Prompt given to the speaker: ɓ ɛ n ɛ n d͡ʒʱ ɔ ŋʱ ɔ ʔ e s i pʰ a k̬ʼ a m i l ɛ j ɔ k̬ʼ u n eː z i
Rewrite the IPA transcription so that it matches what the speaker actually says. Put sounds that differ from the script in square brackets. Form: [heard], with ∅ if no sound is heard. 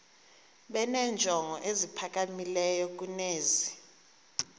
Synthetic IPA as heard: ɓ ɛ n ɛ n d͡ʒʱ ɔ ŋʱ ɔ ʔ e [z] i pʰ a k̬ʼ a m i l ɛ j ɔ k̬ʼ u n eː z i